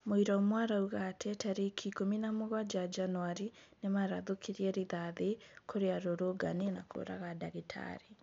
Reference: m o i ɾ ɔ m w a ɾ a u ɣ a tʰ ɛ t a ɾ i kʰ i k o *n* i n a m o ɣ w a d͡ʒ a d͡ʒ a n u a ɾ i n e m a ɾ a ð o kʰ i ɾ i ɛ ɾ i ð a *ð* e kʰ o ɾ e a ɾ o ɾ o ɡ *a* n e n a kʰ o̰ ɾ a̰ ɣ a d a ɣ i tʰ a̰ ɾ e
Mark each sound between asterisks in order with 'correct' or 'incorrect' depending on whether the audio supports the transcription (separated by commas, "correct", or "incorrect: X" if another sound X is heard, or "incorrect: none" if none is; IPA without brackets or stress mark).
incorrect: m, correct, correct